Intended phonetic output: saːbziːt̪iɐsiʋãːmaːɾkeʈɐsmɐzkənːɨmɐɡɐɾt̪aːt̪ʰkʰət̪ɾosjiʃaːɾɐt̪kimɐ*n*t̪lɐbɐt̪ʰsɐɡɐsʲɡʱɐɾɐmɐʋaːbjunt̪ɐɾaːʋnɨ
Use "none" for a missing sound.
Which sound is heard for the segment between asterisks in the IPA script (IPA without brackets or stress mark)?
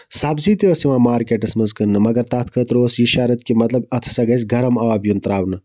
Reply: none